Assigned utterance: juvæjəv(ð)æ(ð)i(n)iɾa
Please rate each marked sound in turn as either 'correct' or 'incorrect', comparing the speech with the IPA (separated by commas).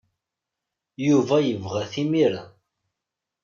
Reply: incorrect, incorrect, incorrect